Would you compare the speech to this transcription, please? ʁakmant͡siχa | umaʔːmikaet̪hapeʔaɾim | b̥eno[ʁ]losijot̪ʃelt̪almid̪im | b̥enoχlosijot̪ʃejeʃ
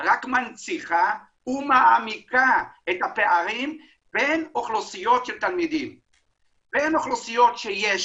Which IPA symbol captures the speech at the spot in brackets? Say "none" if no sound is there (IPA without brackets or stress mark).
χ